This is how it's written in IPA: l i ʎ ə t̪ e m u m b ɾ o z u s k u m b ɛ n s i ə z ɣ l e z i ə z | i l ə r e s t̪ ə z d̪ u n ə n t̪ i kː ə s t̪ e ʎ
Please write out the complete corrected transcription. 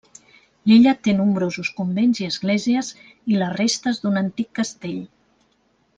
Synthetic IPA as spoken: l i ʎ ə t̪ e n u m b ɾ o z u s k u m b e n z i ə z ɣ l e z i ə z | i l ə r e s t̪ ə z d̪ u n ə n t̪ i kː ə s t̪ e ʎ

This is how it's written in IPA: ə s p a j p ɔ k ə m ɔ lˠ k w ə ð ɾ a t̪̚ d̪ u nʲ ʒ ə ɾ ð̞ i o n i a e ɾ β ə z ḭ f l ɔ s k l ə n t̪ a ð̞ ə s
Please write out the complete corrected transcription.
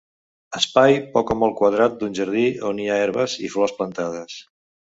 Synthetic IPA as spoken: ə s p a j p ɔ k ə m ɔ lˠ k w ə ð ɾ a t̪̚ d̪ u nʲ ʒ ə ɾ ð̞ i o n i a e ɾ β ə z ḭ f l ɔ s p l ə n t̪ a ð̞ ə s

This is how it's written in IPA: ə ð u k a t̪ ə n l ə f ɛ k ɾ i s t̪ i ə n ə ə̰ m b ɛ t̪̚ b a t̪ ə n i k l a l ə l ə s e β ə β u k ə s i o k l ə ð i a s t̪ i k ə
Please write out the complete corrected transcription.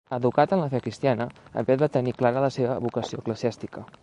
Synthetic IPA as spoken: ə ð u k a t̪ ə n l ə f ɛ k ɾ i s t̪ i a n ə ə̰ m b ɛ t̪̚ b a t̪ ə n i k l a ɾ ə l ə s e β ə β u k ə s i o k l ə z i a s t̪ i k ə

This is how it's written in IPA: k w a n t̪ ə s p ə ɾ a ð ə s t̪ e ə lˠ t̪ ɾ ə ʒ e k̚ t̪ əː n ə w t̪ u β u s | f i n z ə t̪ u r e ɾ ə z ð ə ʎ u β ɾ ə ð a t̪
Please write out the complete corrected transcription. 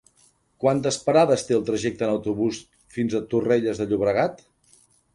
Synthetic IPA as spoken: k w a n t̪ ə s p ə ɾ a ð ə s t̪ e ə lˠ t̪ ɾ ə ʒ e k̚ t̪ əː n ə w t̪ u β u s | f i n z ə t̪ u r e ʎ ə z ð ə ʎ u β ɾ ə ɣ a t̪

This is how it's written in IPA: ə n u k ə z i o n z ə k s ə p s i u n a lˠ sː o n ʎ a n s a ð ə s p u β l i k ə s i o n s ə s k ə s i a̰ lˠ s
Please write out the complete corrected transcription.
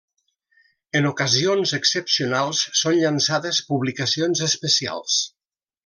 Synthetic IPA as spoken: ə n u k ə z i o n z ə k s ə p s i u n a lˠ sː o n ʎ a n s a ð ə s p u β l i k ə s i o n z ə s p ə s i a̰ lˠ s

